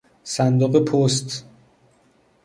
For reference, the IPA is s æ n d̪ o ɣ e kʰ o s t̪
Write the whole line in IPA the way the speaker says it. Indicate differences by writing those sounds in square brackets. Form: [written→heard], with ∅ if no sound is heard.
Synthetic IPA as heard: s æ n d̪ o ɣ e [kʰ→pʰ] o s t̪